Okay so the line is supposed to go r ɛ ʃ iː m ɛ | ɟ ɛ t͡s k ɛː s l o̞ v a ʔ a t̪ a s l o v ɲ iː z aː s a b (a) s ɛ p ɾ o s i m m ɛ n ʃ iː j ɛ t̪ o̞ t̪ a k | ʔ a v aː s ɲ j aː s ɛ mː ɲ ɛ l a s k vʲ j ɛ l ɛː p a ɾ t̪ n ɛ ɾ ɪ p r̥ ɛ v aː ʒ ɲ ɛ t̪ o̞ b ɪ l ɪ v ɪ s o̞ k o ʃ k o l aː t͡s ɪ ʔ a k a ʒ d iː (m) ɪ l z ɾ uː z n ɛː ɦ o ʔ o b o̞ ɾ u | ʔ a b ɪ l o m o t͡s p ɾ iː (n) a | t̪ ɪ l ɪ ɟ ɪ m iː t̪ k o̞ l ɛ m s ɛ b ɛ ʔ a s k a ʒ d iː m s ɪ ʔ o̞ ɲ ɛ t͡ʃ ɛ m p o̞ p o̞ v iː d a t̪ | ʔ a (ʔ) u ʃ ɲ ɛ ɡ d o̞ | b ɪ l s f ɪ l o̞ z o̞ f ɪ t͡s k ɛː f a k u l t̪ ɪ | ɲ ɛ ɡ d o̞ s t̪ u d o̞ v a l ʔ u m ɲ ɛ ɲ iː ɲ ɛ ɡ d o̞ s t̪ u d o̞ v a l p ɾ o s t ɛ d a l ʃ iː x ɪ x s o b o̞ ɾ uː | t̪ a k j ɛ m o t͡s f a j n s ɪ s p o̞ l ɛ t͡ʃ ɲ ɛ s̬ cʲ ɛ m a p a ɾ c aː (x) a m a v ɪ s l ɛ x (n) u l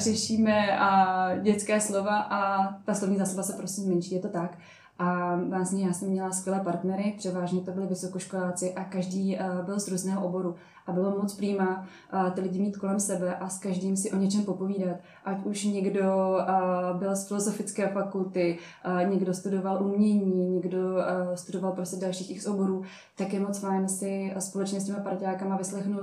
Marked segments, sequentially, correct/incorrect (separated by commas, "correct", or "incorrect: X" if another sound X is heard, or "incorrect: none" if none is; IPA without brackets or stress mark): correct, incorrect: b, incorrect: m, incorrect: c, incorrect: k, correct